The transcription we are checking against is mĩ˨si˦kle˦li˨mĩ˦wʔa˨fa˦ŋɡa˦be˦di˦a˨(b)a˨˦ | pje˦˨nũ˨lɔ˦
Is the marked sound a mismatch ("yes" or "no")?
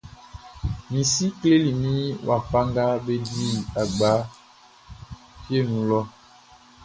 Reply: yes